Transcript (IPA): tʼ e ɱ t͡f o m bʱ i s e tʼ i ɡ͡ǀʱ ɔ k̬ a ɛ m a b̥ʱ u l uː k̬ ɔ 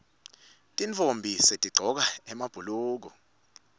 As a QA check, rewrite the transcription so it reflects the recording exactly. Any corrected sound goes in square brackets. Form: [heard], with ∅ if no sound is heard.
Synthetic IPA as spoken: tʼ [i] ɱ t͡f o m bʱ i s e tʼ i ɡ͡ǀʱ ɔ k̬ a ɛ m a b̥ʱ u l uː k̬ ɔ